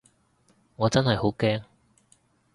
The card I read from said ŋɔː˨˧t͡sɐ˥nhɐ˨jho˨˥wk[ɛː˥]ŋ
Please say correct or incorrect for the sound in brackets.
correct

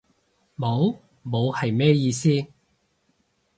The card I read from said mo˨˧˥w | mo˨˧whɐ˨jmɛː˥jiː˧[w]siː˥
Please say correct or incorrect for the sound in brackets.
incorrect: none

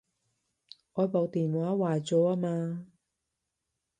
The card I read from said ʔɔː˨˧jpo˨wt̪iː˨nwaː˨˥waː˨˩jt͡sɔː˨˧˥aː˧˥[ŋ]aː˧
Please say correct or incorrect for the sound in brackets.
incorrect: m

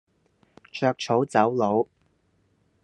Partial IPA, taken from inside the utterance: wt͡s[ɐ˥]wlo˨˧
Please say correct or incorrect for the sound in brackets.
incorrect: ɐ˨˥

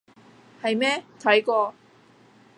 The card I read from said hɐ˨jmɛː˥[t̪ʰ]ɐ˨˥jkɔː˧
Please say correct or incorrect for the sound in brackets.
correct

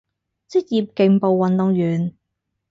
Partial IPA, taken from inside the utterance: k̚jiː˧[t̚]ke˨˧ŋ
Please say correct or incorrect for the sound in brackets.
incorrect: p̚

